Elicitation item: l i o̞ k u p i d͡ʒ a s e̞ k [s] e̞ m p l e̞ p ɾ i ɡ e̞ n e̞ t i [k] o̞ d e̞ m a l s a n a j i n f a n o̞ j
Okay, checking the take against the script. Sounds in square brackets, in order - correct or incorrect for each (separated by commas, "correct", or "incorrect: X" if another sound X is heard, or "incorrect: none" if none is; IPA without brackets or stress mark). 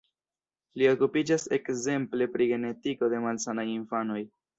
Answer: incorrect: z, correct